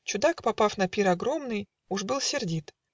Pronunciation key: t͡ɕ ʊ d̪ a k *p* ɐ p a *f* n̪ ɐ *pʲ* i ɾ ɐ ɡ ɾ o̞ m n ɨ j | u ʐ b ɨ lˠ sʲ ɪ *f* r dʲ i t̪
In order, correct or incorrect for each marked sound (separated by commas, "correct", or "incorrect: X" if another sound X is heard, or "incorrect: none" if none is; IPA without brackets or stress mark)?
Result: correct, correct, correct, incorrect: none